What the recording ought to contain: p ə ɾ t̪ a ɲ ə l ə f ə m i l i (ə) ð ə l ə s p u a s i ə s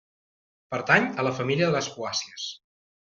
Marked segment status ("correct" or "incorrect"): correct